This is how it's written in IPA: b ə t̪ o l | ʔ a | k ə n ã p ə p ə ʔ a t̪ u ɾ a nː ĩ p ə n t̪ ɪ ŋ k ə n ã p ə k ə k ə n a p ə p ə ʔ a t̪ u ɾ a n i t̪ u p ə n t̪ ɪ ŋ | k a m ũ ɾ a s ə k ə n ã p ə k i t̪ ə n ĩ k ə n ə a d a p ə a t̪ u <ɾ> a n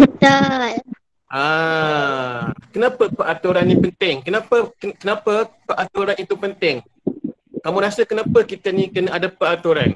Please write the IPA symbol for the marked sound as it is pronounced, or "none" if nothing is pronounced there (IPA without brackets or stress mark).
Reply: ɾ